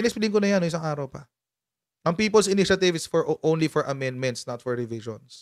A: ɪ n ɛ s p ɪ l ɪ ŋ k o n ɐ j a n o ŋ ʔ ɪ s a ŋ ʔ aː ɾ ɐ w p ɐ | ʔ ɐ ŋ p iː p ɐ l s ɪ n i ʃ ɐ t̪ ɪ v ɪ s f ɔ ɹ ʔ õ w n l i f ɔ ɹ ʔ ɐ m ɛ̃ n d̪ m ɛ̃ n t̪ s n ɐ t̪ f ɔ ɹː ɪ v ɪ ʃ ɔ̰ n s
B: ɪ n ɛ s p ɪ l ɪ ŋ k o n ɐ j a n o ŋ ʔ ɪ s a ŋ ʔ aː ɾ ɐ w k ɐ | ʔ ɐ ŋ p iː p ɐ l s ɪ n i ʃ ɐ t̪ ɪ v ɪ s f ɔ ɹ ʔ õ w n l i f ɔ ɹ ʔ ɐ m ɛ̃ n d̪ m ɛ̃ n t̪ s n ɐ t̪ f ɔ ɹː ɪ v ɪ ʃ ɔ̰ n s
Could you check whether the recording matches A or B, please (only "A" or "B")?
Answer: A